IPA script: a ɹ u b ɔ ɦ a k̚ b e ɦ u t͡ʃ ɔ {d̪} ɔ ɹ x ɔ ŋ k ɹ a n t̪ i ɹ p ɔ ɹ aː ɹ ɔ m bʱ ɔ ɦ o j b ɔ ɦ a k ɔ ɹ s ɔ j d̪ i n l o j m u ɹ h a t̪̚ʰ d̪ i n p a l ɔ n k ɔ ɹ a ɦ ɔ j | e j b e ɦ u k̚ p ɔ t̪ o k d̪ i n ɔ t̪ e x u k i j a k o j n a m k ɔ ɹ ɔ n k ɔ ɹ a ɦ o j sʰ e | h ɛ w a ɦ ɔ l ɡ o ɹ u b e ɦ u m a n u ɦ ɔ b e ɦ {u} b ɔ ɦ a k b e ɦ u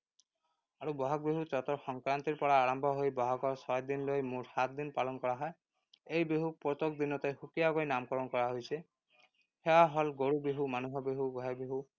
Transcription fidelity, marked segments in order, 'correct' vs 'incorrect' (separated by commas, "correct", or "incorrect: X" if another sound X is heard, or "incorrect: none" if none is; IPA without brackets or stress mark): incorrect: t̪, correct